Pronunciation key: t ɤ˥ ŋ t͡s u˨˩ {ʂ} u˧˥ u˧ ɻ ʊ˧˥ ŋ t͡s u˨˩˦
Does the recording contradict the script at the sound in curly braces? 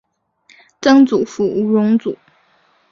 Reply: yes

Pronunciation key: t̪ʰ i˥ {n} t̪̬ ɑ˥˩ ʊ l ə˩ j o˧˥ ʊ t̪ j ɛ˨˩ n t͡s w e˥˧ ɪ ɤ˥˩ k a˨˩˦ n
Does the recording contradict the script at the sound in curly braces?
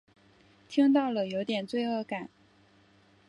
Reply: yes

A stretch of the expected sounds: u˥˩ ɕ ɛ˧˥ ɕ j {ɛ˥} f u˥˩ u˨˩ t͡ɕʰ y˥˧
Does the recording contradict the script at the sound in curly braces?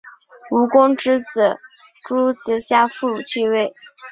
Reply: yes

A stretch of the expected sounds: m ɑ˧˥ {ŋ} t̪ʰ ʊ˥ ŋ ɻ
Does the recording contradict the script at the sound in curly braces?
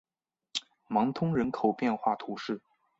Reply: no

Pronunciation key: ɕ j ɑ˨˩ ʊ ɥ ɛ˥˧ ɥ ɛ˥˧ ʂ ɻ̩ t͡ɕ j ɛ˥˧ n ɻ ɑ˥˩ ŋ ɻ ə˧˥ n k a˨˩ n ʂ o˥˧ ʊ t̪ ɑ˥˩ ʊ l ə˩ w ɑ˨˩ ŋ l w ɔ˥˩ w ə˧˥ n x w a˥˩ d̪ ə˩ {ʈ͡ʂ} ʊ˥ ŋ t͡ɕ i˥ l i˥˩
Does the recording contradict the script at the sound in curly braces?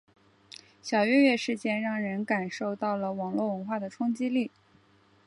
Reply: yes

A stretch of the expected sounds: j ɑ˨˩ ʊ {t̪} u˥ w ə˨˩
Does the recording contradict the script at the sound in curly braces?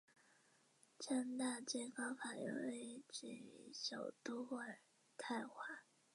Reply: no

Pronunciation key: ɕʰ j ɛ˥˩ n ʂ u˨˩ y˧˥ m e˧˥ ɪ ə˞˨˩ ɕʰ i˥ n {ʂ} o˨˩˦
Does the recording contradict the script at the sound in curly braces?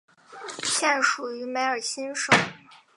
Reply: no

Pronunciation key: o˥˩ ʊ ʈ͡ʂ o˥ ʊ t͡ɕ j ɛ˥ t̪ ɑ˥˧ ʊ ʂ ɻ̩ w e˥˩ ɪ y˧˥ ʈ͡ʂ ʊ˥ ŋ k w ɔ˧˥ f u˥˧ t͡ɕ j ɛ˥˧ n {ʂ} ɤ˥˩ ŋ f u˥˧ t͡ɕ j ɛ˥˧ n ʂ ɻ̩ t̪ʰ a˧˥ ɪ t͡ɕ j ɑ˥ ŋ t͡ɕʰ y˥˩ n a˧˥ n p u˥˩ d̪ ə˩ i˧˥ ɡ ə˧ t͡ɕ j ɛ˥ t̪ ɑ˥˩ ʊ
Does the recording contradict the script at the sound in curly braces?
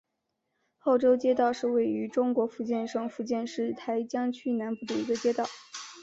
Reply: no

